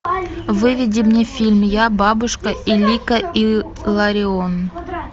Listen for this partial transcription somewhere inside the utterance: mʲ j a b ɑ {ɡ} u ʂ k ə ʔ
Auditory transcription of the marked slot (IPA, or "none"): b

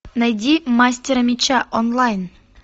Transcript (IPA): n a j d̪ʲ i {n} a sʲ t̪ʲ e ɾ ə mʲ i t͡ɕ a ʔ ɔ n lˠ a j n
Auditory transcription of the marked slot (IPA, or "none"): m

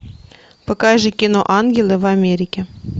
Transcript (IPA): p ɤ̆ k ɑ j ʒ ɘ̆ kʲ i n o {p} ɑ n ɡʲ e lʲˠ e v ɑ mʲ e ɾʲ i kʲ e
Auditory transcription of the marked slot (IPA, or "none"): ʔ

